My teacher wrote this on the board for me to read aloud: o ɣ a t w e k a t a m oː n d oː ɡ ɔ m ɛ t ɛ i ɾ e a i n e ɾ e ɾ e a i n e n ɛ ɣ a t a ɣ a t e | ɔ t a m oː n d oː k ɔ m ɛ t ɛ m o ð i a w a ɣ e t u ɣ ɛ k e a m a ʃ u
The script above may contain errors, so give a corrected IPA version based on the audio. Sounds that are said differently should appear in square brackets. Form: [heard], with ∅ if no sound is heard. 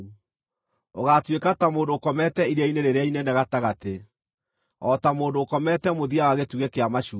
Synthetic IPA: o ɣ a t w e k a t a m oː n d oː [k] ɔ m ɛ t ɛ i ɾ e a i n e ɾ e ɾ e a i n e n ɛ ɣ a t a ɣ a t e | ɔ t a m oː n d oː k ɔ m ɛ t ɛ m o ð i a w a ɣ e t u ɣ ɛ k e a m a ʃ u